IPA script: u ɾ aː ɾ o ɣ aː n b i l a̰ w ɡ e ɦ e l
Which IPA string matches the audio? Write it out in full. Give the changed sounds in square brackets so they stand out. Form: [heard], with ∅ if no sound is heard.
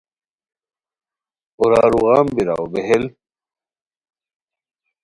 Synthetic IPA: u ɾ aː ɾ [u] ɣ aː [m] b i [ɾ] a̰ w [b] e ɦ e l